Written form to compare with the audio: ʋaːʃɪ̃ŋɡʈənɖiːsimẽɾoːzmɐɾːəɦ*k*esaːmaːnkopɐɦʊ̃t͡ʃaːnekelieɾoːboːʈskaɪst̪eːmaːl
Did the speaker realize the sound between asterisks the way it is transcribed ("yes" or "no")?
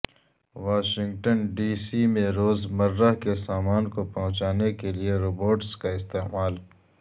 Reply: yes